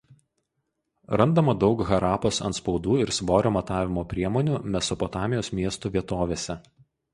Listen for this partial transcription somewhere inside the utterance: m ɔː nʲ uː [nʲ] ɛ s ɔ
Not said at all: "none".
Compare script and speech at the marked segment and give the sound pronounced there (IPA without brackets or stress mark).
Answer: mʲ